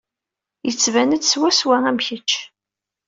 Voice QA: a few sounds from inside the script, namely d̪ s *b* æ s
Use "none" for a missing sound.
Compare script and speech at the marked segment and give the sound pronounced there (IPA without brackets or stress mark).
w